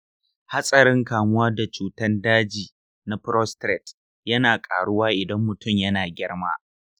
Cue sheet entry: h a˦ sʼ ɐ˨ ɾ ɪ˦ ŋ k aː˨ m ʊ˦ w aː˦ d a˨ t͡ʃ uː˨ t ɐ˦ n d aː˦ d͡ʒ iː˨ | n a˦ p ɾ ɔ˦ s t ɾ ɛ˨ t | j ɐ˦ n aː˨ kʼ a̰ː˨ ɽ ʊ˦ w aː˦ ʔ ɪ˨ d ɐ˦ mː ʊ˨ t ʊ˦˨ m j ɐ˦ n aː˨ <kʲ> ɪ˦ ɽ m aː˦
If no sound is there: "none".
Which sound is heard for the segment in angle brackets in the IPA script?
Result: ɡʲ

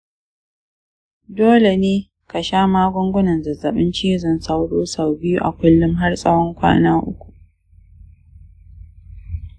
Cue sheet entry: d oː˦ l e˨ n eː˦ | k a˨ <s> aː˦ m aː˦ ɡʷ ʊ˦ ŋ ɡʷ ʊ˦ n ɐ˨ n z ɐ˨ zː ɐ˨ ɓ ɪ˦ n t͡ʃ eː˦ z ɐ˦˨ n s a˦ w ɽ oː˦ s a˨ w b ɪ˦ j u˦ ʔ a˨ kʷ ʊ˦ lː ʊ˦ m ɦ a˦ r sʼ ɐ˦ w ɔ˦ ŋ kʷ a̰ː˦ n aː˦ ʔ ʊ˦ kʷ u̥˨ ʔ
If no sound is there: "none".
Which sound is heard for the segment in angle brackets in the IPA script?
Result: ʃ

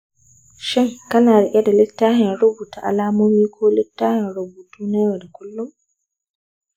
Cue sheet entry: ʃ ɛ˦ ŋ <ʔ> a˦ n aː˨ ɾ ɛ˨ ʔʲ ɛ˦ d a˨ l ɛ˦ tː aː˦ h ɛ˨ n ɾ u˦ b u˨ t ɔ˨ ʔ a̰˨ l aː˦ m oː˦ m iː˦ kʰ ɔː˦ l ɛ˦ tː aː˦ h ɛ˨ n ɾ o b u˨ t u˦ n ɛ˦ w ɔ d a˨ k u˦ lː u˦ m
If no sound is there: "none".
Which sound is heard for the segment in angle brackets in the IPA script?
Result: k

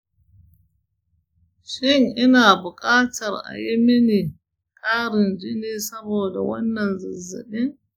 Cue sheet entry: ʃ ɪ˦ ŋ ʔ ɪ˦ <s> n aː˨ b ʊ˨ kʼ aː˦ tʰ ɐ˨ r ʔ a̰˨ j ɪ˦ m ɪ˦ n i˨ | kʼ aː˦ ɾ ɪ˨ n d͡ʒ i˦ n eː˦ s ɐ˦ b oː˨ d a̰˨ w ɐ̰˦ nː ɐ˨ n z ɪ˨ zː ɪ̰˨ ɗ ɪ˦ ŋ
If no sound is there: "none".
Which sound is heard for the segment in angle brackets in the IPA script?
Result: none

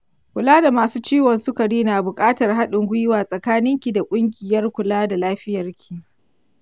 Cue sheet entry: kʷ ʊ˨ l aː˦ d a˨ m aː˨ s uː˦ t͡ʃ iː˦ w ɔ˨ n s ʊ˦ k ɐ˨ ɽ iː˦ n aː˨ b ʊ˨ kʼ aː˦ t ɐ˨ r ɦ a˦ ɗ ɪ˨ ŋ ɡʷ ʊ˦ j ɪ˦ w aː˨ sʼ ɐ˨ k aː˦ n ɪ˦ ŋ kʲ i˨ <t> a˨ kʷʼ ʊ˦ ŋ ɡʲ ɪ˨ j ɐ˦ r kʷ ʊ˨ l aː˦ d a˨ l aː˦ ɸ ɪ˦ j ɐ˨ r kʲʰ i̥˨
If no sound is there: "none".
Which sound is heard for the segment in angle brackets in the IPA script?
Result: d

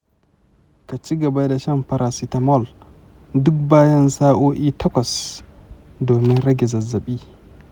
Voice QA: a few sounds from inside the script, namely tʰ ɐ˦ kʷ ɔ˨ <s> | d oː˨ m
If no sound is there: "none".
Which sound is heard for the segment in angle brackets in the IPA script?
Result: s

